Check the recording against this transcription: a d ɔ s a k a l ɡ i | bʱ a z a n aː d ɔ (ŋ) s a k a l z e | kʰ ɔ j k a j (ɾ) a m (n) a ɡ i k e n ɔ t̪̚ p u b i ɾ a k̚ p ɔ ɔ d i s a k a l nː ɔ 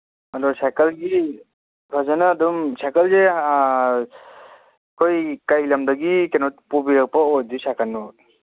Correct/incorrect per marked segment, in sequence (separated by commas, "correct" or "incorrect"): incorrect, incorrect, incorrect